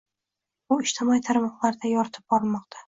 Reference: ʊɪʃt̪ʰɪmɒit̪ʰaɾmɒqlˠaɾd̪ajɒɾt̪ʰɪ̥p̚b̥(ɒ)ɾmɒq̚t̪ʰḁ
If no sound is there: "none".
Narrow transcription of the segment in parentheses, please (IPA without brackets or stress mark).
ɒ